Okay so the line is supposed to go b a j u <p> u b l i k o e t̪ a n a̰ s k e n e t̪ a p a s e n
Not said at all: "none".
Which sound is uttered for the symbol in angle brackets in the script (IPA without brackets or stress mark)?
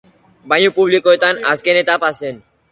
p